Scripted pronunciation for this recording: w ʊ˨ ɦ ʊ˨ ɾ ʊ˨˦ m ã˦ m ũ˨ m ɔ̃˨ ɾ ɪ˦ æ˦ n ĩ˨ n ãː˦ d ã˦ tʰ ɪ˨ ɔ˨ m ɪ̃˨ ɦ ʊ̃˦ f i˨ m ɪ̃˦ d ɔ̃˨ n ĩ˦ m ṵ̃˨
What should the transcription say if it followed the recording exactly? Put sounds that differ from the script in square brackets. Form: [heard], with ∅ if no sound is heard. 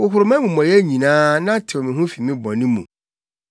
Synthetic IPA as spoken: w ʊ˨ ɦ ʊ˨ ɾ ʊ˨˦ m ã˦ m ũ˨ m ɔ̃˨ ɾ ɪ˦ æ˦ [ɲ] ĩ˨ n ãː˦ [n] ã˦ tʰ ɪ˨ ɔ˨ m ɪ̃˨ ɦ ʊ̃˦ f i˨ m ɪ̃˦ [b] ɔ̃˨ n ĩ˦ m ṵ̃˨